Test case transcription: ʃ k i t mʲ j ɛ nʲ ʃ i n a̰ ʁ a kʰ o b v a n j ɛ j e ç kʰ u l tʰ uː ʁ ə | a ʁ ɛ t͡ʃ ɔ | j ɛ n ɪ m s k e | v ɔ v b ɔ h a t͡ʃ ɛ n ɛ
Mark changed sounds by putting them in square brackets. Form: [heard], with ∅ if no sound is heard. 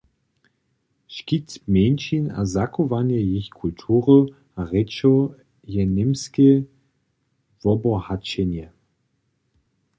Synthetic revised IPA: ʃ k i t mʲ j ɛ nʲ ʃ i n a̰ [z] a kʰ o [∅] v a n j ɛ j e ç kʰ u l tʰ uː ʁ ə | a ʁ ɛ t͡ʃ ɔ | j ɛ n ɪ m s k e | v ɔ [∅] b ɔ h a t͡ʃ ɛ n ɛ